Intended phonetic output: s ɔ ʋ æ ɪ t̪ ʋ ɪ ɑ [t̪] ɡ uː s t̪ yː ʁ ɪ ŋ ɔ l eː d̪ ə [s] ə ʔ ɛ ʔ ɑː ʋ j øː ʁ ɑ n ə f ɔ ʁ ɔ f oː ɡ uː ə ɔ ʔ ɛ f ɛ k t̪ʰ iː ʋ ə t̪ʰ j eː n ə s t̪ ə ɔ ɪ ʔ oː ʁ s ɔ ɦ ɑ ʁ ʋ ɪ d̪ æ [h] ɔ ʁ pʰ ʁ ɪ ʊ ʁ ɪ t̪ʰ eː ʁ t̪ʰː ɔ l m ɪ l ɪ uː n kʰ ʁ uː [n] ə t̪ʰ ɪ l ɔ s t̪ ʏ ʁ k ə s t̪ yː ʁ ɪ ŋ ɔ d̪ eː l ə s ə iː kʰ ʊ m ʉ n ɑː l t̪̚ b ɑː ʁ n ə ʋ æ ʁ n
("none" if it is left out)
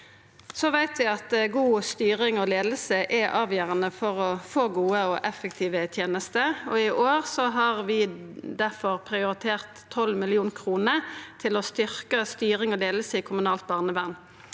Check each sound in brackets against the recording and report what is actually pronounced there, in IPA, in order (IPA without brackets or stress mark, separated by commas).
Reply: t̪, s, f, n